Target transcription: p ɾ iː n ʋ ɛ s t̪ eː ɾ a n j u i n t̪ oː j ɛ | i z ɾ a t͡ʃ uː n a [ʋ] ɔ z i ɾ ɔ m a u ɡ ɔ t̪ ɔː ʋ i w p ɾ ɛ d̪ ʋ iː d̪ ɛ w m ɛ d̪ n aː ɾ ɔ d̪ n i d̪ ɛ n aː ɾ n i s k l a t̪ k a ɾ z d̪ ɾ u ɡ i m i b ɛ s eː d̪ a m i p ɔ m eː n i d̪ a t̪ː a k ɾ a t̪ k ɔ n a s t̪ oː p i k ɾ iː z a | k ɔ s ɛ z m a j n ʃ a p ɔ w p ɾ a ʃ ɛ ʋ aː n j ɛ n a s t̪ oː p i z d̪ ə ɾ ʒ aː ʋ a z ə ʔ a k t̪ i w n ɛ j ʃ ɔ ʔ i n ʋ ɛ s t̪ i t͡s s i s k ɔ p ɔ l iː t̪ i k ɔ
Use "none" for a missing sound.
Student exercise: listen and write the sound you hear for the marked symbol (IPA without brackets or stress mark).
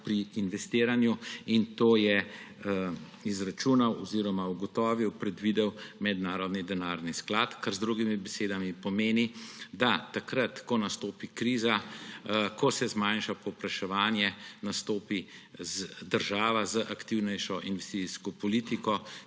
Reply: w